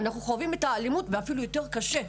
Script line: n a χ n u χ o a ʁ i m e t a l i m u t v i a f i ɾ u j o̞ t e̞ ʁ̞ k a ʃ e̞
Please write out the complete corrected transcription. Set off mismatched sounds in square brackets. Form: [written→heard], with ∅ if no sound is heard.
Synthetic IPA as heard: n a χ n u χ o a [ʁ→v] i m e t a l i m u t v [i→e] a f i [ɾ→l] u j o̞ t e̞ ʁ̞ k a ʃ e̞